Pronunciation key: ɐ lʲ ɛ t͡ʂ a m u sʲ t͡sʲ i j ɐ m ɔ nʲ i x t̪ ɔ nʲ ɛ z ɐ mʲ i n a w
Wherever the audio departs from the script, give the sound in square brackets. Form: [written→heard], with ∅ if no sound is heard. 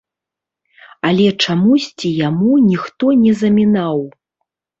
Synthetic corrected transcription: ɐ lʲ ɛ t͡ʂ a m u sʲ t͡sʲ i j [ɐ→a] m [ɔ→u] nʲ i x t̪ ɔ nʲ ɛ z ɐ mʲ i n a w